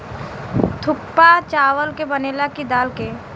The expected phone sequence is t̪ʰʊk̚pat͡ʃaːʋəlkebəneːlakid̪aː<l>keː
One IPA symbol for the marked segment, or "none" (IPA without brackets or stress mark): l